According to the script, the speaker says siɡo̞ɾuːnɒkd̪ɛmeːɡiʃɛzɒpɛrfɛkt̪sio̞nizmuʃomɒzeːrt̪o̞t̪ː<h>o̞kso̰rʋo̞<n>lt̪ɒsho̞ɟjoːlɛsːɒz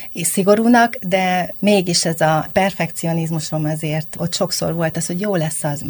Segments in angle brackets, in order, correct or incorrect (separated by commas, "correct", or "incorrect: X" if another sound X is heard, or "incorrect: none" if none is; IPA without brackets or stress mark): incorrect: ʃ, incorrect: none